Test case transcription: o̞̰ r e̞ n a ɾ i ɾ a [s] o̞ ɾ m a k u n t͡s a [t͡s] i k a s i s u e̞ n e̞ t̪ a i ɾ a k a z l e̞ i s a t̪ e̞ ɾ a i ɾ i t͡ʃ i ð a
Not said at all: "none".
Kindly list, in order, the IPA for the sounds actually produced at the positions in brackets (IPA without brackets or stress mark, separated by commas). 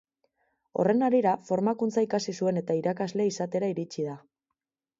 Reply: f, none